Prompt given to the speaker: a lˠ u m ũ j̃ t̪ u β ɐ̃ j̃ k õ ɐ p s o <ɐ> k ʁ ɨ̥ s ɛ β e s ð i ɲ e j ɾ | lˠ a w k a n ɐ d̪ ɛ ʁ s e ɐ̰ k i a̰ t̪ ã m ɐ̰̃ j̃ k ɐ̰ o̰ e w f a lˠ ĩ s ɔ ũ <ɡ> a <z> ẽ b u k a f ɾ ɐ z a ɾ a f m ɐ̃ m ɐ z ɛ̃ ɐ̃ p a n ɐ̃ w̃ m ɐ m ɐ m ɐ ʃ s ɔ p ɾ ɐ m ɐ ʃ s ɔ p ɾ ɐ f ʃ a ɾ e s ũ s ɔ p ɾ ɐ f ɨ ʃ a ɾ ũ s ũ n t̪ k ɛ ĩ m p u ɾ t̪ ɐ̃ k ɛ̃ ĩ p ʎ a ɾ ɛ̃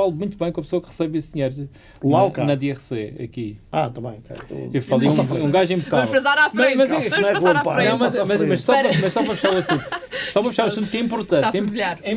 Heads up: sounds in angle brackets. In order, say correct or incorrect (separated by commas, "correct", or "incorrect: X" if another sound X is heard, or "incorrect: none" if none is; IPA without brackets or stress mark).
correct, correct, incorrect: ʒ